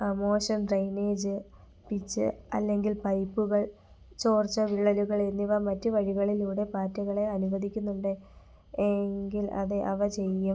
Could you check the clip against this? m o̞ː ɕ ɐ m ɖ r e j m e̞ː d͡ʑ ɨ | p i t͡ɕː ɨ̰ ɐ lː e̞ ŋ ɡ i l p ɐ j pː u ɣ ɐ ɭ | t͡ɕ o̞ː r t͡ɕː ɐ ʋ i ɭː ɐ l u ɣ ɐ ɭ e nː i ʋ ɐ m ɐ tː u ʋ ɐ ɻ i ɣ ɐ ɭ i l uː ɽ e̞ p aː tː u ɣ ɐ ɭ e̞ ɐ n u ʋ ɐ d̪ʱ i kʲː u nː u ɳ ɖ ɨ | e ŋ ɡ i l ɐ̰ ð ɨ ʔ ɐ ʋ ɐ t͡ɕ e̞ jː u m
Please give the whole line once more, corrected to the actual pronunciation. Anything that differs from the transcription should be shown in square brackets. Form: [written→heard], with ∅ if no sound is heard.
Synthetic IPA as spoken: m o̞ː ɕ ɐ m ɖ r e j [m→n] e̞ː d͡ʑ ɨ | p i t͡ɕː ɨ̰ ɐ lː e̞ ŋ ɡ i l p ɐ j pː u ɣ ɐ ɭ | t͡ɕ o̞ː r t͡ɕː ɐ ʋ i ɭː ɐ l u ɣ ɐ ɭ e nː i ʋ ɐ m ɐ tː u ʋ ɐ ɻ i ɣ ɐ ɭ i l uː ɽ e̞ p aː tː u ɣ ɐ ɭ e̞ ɐ n u ʋ ɐ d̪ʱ i kʲː u nː u ɳ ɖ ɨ | e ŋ ɡ i l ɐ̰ ð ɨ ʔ ɐ ʋ ɐ t͡ɕ e̞ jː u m